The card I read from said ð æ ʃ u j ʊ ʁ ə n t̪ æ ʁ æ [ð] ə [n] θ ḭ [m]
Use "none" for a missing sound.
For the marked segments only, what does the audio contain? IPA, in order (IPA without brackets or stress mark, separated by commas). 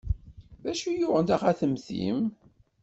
θ, m, m